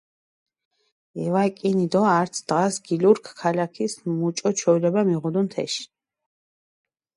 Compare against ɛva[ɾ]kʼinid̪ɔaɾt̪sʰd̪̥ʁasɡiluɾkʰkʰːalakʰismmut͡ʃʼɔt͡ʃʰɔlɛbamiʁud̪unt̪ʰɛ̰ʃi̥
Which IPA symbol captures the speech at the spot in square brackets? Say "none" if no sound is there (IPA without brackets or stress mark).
none